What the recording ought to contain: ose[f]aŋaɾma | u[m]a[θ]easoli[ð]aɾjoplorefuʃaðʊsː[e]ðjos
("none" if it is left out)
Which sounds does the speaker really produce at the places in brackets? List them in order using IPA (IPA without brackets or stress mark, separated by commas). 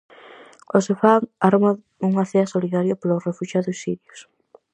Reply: f, ŋ, θ, ð, i